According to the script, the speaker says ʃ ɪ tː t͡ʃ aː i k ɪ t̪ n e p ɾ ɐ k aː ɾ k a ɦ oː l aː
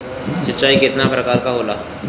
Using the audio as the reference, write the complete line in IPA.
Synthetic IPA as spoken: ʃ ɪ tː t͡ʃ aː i k ɪ t̪ n a p ɾ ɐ k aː ɾ k a ɦ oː l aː